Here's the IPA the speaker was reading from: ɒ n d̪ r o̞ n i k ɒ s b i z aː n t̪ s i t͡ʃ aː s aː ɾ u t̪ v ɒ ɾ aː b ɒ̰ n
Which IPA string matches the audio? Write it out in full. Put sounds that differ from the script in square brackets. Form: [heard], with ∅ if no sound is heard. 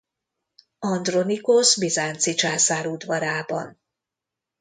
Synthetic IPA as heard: ɒ n d̪ r o̞ n i k [o] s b i z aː n t̪ s i t͡ʃ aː s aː ɾ u [d̪] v ɒ ɾ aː b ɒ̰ n